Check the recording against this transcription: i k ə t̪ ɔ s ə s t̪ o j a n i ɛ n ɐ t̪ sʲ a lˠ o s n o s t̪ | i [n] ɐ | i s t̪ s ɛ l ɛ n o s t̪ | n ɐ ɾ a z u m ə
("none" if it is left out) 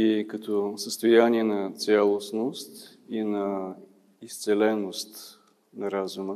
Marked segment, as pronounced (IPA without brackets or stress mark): n